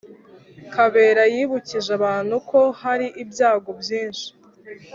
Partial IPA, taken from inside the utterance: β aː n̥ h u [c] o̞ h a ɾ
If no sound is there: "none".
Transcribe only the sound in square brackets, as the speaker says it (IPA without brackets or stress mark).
k